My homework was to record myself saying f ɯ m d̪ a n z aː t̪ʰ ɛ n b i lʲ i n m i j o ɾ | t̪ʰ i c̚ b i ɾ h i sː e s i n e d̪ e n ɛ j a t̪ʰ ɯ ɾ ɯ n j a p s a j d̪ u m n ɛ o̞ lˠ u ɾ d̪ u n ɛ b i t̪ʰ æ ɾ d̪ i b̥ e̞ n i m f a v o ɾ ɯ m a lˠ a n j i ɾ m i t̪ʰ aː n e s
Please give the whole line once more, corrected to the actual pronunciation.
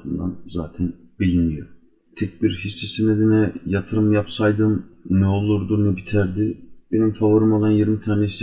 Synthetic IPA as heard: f ɯ n d̪ a n z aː t̪ʰ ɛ n b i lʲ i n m i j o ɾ | t̪ʰ ɛ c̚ b i ɾ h i sː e s i n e d̪ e n ɛ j a t̪ʰ ɯ ɾ ɯ m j a p s a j d̪ ɯ m n ɛ o̞ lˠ u ɾ d̪ u n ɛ b i t̪ʰ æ ɾ d̪ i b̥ e̞ n i m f a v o ɾ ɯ m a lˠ a n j i ɾ m i t̪ʰ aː n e s